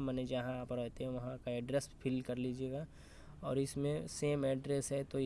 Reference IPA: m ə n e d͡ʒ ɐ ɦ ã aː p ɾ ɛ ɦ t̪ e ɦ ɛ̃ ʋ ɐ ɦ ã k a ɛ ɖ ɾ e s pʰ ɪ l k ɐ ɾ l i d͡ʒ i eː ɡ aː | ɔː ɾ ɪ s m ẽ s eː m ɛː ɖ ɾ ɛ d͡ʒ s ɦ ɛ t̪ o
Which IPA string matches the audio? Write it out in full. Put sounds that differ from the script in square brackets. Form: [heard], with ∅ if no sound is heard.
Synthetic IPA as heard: m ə n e d͡ʒ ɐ ɦ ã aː p ɾ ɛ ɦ t̪ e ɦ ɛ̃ ʋ ɐ ɦ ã k a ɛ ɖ ɾ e s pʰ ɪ l k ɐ ɾ l i d͡ʒ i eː ɡ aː | ɔː ɾ ɪ s m ẽ s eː m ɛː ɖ ɾ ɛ [∅] s ɦ ɛ t̪ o

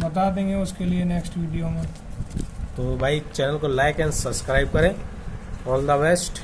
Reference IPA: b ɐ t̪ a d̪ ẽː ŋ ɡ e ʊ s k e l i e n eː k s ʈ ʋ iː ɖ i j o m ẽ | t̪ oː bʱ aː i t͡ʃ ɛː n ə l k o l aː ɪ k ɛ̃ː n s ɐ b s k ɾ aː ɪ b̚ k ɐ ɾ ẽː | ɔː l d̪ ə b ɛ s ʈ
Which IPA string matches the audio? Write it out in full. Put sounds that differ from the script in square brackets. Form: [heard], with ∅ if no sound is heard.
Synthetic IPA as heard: b ɐ t̪ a d̪ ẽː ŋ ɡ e ʊ s k e l i e n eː k s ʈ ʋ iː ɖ i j o m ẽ | t̪ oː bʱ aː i t͡ʃ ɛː n ə l k o l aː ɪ k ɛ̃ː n s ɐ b s k ɾ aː ɪ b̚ k ɐ ɾ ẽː | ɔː l d̪ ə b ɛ s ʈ

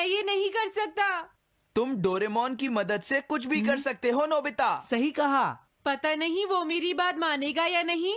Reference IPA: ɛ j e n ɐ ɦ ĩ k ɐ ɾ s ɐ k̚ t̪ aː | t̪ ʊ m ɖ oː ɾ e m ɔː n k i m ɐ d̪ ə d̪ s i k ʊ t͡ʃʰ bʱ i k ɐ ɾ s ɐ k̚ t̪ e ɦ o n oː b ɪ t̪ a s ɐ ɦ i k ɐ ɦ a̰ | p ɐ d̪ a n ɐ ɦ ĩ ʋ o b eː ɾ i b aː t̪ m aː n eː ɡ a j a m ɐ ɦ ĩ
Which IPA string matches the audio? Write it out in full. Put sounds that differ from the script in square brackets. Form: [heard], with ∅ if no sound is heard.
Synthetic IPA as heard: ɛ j e n ɐ ɦ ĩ k ɐ ɾ s ɐ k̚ t̪ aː | t̪ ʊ m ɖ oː ɾ e m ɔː n k i m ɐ d̪ ə d̪ s [e] k ʊ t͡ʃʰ bʱ i k ɐ ɾ s ɐ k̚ t̪ e ɦ o n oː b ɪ t̪ a s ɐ ɦ i k ɐ ɦ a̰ | p ɐ [t̪] a n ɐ ɦ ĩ ʋ o [m] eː ɾ i b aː t̪ m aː n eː ɡ a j a [n] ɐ ɦ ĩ

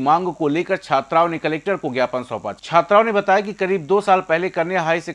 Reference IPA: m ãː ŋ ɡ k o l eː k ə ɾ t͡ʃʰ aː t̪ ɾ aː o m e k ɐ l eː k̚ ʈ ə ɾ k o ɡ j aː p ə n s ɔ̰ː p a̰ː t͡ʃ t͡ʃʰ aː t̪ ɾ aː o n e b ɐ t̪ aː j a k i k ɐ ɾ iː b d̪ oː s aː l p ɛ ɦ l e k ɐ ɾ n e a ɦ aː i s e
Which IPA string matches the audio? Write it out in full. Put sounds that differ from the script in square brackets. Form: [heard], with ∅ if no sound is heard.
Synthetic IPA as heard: m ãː ŋ ɡ k o l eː k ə ɾ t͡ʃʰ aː t̪ ɾ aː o [n] e k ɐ l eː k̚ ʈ ə ɾ k o ɡ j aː p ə n s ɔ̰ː p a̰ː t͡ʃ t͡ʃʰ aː t̪ ɾ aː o n e b ɐ t̪ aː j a k i k ɐ ɾ iː b d̪ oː s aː l p ɛ ɦ l e k ɐ ɾ n e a ɦ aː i s e

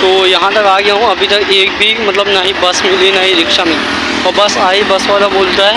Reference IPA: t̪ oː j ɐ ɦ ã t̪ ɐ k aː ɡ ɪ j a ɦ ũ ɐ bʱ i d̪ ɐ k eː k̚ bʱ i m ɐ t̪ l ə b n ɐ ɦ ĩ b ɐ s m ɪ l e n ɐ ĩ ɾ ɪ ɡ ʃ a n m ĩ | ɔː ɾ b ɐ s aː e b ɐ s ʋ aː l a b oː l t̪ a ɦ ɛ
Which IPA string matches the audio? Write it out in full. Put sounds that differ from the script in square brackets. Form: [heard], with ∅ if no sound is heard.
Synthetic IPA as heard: t̪ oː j ɐ ɦ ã t̪ ɐ k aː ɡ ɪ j a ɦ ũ ɐ bʱ i [t̪] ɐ k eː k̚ bʱ i m ɐ t̪ l ə b n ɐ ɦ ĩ b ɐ s m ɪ l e n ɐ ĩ ɾ ɪ [k] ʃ a [∅] m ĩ | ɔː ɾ b ɐ s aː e b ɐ s ʋ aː l a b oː l t̪ a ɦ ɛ

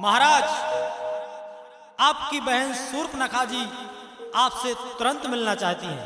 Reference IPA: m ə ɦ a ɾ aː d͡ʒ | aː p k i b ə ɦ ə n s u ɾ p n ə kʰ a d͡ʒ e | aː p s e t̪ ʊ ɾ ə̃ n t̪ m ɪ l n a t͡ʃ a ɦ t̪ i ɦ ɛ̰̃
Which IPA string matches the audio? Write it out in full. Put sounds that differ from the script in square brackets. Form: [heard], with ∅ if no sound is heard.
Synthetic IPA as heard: m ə ɦ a ɾ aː d͡ʒ | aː p k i b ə ɦ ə n s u ɾ p n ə kʰ a d͡ʒ [i] | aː p s e t̪ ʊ ɾ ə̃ n t̪ m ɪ l n a t͡ʃ a ɦ t̪ i ɦ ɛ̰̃

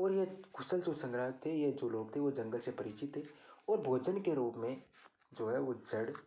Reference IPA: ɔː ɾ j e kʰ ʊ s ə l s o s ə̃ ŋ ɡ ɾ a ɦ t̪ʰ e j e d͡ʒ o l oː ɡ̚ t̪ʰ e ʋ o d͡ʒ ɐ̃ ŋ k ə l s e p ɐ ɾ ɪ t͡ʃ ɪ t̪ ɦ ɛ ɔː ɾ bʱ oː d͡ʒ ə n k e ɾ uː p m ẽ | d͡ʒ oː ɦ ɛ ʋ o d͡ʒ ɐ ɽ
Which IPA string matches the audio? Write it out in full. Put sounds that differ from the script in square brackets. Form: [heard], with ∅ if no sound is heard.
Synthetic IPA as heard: ɔː ɾ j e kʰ ʊ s ə l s o s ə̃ ŋ ɡ ɾ a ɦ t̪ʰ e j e d͡ʒ o l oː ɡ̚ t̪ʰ e ʋ o d͡ʒ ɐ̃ ŋ [ɡ] ə l s e p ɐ ɾ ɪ t͡ʃ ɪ t̪ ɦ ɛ ɔː ɾ bʱ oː d͡ʒ ə n k e ɾ uː p m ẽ | d͡ʒ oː ɦ ɛ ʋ o d͡ʒ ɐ ɽ

